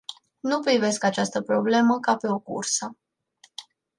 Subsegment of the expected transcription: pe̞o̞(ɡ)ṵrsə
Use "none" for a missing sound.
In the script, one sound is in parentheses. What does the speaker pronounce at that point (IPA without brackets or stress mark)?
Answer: k